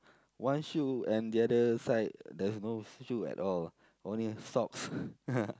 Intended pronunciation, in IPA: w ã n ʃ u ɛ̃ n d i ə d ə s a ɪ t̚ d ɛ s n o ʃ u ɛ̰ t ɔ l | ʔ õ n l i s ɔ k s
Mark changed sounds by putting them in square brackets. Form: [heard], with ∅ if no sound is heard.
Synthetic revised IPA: w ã n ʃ u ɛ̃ n d i [a] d ə s a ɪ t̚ d ɛ s n o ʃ u ɛ̰ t ɔ l | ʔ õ n l i s ɔ k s